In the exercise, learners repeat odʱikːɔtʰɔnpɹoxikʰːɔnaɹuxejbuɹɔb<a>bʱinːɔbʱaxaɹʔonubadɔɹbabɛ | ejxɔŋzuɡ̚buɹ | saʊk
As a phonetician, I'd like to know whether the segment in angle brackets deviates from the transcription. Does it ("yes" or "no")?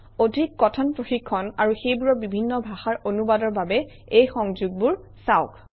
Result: yes